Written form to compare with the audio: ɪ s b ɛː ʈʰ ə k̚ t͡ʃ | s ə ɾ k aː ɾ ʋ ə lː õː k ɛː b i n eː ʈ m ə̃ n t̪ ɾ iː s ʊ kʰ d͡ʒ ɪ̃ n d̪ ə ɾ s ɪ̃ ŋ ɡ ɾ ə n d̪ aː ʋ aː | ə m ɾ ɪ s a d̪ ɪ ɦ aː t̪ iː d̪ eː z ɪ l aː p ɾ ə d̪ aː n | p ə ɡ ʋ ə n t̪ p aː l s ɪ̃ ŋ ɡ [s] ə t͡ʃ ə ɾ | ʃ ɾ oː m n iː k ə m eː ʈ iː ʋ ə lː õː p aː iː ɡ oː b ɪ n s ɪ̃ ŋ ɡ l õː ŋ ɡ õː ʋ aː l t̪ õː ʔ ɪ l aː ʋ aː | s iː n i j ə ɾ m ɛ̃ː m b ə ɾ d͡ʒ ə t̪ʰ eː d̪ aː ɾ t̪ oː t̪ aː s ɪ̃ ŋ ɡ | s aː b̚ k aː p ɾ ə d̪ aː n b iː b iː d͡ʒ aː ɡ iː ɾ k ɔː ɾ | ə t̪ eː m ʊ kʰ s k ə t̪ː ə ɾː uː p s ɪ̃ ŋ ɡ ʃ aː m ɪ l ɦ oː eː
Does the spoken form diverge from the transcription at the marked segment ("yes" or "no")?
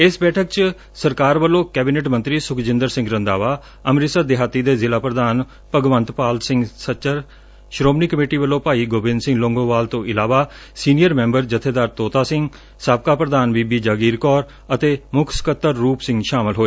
no